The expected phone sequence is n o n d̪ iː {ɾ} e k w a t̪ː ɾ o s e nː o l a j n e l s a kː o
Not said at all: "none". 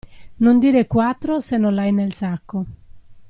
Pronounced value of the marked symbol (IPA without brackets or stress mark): ɾ